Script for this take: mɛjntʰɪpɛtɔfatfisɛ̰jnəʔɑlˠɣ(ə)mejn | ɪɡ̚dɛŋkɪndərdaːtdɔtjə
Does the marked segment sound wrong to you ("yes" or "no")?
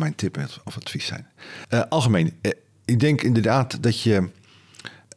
no